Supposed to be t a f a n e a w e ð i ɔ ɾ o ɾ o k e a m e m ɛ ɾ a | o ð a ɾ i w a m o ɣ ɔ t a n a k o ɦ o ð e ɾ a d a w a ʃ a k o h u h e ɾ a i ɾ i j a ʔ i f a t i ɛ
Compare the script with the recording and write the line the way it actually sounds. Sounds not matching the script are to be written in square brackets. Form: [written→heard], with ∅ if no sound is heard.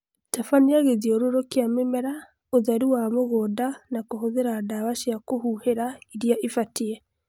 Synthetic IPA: t a f a n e a [w→ɣ] e ð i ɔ ɾ o ɾ o k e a m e m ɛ ɾ a | o ð a ɾ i w a m o ɣ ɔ [t→d] a n a k o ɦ o ð e ɾ a d a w a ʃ a k o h u h e ɾ a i ɾ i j a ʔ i f a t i ɛ